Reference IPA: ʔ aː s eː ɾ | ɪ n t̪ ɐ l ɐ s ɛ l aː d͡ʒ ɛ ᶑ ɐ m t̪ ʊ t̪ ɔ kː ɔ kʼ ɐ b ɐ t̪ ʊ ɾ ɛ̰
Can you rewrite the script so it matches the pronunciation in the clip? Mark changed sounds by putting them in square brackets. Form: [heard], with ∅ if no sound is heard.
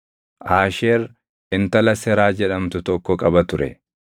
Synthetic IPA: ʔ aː [ʃ] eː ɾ | ɪ n t̪ ɐ l ɐ s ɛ [ɾ] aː d͡ʒ ɛ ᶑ ɐ m t̪ ʊ t̪ ɔ kː ɔ kʼ ɐ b ɐ t̪ ʊ ɾ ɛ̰